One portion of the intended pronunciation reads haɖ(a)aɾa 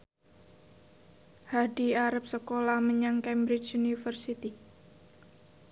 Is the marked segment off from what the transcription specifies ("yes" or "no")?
yes